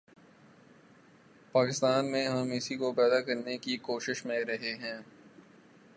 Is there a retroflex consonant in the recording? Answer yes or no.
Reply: no